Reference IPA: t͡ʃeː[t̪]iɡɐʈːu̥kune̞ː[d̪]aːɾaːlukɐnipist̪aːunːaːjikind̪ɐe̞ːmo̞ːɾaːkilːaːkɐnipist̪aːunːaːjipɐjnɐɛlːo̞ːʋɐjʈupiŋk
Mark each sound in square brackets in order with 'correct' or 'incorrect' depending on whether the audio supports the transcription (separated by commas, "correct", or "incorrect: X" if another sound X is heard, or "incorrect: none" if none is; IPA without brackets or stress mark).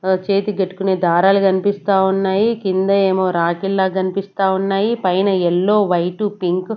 correct, correct